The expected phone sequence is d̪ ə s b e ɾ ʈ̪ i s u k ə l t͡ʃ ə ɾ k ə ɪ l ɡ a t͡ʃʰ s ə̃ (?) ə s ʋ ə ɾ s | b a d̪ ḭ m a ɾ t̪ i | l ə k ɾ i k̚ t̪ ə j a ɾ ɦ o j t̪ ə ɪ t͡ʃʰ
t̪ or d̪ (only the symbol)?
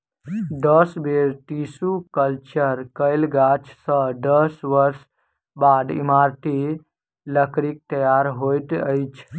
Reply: d̪